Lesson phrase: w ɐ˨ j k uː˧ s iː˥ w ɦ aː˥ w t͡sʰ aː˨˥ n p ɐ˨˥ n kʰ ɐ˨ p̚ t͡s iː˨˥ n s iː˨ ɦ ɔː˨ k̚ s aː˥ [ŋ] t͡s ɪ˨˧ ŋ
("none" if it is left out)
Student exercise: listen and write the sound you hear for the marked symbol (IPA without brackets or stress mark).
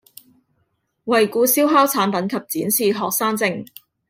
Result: ŋ